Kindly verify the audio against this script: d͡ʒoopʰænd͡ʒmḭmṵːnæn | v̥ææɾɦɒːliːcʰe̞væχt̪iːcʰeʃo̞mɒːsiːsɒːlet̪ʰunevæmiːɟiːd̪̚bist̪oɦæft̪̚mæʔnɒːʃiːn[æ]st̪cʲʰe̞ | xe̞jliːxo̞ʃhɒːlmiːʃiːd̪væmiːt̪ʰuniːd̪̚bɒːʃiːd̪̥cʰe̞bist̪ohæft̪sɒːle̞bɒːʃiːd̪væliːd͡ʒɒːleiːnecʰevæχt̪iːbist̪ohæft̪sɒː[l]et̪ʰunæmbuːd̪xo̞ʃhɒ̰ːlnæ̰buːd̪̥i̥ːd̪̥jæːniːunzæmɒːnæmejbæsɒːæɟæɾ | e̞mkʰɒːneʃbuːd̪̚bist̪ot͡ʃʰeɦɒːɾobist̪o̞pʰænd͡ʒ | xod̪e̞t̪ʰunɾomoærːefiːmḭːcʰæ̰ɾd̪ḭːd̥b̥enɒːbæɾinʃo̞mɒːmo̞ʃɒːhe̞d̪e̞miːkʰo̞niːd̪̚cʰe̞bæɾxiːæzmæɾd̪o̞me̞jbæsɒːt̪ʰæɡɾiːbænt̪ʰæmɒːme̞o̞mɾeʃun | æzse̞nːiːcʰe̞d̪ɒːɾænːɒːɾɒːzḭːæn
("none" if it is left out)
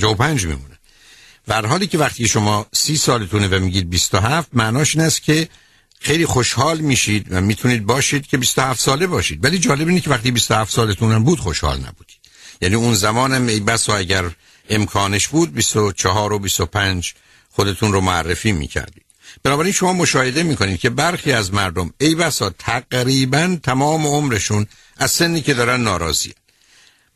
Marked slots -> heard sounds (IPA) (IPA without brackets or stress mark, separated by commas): æ, l